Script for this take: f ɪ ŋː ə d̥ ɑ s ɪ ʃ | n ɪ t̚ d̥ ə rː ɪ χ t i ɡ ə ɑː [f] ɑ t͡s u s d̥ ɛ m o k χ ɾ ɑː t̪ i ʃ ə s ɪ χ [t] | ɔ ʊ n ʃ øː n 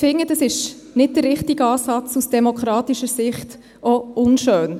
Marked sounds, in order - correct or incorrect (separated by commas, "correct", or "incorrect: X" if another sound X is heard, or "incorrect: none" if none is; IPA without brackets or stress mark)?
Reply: incorrect: s, correct